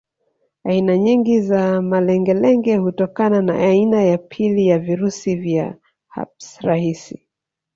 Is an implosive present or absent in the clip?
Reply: absent